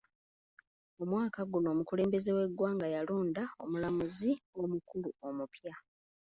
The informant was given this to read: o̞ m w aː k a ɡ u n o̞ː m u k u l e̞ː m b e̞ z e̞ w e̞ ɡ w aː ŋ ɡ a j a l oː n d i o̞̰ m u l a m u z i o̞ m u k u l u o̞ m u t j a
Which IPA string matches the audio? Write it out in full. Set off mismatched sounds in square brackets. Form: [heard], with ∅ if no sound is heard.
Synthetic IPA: o̞ m w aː k a ɡ u n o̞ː m u k u l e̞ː m b e̞ z e̞ w e̞ ɡ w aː ŋ ɡ a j a l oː n d [a] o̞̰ m u l a m u z i o̞ m u k u l u o̞ m u [p] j a